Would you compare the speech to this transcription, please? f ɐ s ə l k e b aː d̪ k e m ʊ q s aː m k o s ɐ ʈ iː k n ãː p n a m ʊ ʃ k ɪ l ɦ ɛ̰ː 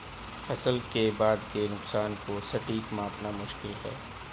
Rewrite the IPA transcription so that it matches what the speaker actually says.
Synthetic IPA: f ɐ s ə l k e b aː d̪ k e n ʊ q s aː n k o s ɐ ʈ iː k m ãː p n a m ʊ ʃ k ɪ l ɦ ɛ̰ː